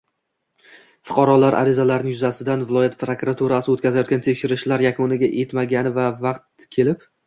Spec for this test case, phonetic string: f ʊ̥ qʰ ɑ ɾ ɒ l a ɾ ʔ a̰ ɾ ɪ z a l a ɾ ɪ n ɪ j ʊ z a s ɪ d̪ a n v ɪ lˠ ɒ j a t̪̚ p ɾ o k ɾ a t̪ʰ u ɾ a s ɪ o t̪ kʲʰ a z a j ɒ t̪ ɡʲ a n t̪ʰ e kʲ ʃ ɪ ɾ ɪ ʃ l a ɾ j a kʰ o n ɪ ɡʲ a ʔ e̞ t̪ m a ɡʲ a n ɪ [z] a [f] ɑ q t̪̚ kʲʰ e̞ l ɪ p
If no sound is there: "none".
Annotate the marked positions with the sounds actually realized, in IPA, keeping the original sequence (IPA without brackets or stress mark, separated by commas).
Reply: v, v